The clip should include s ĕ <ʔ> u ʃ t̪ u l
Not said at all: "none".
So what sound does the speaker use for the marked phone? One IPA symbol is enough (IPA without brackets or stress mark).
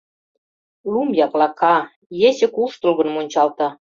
k